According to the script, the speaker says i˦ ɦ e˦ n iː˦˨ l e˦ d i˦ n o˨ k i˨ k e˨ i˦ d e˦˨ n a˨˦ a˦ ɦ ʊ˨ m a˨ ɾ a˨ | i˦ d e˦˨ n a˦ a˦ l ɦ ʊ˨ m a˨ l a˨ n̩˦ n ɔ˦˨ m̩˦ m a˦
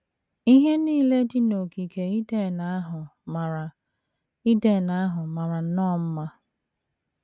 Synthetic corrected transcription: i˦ ɦ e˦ n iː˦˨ l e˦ d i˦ n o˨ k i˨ k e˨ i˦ d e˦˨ n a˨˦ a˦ ɦ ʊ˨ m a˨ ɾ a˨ | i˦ d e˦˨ n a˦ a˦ ɦ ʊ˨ m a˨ ɾ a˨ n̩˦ n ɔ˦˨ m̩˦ m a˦